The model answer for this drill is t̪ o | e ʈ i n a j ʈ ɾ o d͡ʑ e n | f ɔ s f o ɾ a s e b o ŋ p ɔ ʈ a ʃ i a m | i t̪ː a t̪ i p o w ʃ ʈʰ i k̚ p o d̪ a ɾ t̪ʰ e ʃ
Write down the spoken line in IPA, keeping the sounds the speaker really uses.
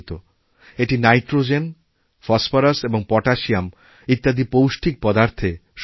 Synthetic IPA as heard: t̪ o | e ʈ i n a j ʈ ɾ o d͡ʑ e n | f ɔ s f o ɾ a s e b o ŋ p ɔ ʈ a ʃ i a m | i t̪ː a d̪ i p o w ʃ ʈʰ i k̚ p ɔ d̪ a ɾ t̪ʰ e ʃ